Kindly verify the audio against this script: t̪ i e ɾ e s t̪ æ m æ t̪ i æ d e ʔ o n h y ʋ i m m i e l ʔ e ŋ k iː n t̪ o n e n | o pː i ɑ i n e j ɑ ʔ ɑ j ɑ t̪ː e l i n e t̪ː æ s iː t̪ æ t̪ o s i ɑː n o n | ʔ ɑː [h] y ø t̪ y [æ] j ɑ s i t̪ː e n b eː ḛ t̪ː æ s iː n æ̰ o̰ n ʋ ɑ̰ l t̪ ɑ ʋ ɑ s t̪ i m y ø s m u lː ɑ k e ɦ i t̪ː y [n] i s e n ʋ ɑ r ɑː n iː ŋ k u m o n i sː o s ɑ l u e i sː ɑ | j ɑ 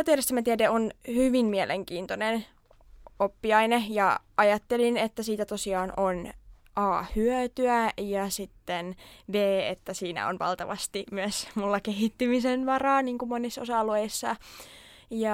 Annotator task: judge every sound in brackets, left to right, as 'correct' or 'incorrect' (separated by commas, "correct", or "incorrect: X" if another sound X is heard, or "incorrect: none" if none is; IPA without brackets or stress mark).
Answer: correct, correct, incorrect: m